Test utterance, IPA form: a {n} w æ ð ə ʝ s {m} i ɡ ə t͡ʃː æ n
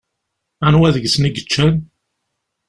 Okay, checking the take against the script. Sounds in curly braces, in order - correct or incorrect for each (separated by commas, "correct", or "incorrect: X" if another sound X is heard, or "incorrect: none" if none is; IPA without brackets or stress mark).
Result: correct, incorrect: n